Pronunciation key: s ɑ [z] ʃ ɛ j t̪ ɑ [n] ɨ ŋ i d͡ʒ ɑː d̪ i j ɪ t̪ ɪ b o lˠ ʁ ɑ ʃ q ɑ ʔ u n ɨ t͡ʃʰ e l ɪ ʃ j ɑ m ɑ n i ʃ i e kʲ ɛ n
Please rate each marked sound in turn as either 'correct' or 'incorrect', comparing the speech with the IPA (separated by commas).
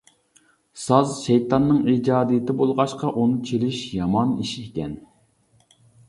correct, incorrect